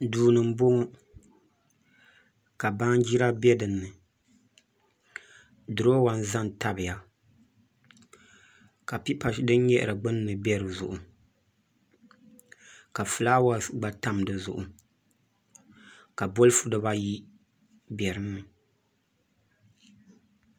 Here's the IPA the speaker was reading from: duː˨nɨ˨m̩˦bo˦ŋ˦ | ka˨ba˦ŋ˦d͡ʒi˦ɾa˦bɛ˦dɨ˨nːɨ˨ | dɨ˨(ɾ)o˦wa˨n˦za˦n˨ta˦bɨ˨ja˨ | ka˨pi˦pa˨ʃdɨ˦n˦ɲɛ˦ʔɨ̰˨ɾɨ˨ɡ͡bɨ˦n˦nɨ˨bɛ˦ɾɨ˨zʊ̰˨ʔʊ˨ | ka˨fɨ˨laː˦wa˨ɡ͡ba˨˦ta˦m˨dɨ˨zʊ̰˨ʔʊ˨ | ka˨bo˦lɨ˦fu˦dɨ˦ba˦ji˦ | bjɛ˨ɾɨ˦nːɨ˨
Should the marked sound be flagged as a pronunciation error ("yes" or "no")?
no